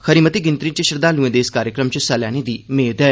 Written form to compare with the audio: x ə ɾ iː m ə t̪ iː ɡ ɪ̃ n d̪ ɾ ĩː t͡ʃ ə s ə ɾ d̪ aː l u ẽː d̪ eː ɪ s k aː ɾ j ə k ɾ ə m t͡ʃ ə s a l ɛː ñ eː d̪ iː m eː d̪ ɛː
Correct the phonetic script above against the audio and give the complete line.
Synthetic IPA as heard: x ə ɾ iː m ə t̪ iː ɡ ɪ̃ n t̪ ɾ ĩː t͡ʃ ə ʃ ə ɾ d̪ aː l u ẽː d̪ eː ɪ s k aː ɾ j ə k ɾ ə m t͡ʃ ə s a l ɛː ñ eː d̪ iː m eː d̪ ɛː